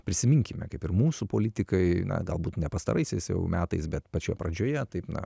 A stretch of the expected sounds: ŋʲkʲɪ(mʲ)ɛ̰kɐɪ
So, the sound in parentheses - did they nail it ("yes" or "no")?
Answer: yes